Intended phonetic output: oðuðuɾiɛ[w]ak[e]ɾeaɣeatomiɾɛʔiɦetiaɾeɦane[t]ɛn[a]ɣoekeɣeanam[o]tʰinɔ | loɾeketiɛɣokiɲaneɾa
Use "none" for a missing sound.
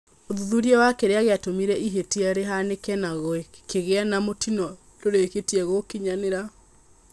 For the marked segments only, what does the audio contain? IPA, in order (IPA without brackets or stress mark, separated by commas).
w, e, k, a, o